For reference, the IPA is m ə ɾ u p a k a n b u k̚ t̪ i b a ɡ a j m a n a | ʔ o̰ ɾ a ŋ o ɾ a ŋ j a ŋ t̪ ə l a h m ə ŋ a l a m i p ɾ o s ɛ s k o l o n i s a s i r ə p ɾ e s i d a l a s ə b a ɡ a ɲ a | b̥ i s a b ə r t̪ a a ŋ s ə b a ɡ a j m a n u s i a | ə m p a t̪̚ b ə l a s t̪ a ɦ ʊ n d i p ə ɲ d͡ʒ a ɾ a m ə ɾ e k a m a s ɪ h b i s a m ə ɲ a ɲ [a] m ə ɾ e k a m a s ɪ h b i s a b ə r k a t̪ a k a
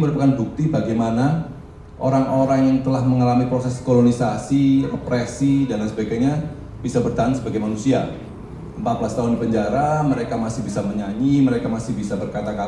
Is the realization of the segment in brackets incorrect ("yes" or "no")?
yes